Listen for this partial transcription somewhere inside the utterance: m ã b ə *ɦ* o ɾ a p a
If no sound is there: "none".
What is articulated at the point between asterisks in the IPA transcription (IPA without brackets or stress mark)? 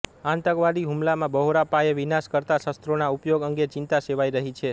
ɦ